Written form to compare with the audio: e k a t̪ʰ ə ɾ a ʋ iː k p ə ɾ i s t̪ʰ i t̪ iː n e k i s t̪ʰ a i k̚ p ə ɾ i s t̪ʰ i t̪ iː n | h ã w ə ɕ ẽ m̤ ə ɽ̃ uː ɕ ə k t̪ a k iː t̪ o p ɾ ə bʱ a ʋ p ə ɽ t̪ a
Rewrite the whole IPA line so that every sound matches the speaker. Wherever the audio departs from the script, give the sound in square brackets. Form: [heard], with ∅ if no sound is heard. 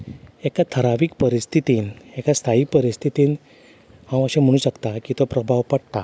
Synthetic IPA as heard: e k a t̪ʰ ə ɾ a ʋ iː k p ə ɾ i s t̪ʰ i t̪ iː n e k [a] s t̪ʰ a i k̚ p ə ɾ i s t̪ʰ i t̪ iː n | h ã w ə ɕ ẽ m̤ ə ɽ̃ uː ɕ ə k t̪ a k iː t̪ o p ɾ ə bʱ a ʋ p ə ɽ t̪ a